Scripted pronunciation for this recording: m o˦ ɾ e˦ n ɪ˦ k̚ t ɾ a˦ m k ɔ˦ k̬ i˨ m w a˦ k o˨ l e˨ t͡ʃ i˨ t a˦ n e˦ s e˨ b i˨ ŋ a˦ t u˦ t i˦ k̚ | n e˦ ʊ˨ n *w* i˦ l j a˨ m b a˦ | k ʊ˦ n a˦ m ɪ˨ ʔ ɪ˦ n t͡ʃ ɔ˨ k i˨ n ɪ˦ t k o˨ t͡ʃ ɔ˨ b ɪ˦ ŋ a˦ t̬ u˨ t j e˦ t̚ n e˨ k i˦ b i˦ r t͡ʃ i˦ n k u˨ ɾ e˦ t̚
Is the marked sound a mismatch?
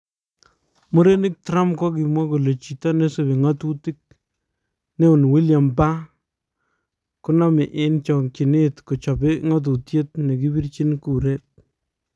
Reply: no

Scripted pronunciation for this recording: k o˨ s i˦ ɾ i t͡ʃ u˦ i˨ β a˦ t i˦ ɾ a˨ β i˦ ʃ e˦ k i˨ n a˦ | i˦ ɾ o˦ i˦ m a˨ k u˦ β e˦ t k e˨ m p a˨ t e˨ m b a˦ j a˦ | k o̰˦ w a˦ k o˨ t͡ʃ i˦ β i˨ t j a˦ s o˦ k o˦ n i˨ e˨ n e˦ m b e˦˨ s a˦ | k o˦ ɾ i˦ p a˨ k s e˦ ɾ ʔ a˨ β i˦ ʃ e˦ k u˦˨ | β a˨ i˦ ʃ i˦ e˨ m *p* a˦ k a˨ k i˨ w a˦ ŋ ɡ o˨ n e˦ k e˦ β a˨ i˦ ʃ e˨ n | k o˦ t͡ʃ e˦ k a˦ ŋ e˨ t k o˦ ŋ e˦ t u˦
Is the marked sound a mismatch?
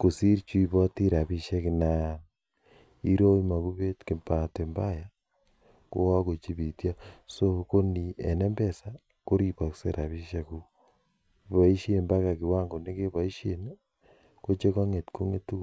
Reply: yes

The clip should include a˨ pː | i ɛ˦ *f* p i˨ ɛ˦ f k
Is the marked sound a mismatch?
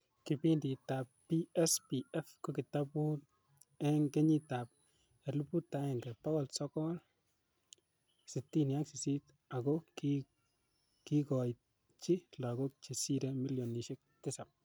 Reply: yes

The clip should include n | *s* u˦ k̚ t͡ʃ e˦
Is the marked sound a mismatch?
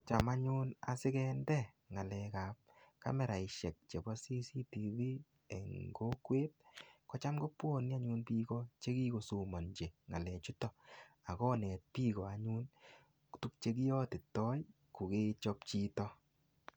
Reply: yes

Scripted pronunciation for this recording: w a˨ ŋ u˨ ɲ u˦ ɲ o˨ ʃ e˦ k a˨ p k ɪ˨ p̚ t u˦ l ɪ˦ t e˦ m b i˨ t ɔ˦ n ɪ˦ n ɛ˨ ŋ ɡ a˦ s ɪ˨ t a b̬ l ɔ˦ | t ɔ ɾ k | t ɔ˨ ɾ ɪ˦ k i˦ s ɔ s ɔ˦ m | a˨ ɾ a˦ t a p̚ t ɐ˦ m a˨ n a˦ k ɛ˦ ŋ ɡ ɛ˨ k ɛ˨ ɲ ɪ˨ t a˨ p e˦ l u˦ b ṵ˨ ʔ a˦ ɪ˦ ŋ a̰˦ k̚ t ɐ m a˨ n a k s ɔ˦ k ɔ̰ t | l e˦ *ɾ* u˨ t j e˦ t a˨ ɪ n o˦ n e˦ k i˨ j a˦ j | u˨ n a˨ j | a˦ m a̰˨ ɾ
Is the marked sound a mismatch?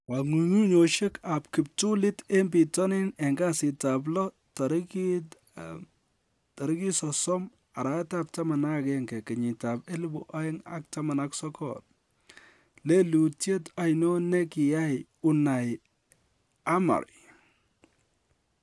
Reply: yes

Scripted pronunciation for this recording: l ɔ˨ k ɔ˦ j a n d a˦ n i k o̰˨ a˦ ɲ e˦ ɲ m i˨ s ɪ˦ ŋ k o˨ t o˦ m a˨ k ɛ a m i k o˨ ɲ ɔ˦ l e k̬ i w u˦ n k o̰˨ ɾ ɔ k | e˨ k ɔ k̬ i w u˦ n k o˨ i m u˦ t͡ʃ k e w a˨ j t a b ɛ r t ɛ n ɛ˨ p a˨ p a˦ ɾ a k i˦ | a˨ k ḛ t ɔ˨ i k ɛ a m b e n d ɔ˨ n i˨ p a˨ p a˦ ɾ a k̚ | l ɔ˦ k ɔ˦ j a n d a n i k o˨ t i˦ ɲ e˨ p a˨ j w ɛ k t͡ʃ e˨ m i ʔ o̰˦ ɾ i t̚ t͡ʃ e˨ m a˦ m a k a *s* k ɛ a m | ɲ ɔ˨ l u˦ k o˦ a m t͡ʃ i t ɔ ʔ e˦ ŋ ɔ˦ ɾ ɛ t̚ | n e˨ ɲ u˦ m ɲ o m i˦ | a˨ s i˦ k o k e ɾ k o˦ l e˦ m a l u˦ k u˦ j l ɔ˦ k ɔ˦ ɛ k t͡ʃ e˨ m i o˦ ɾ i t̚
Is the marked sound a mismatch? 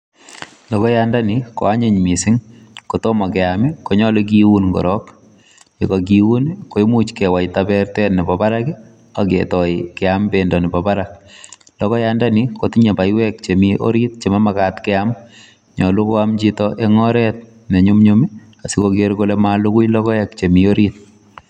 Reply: yes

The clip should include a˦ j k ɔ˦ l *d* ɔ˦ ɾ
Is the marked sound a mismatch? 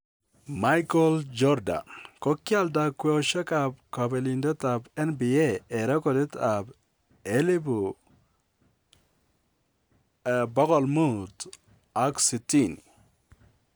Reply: yes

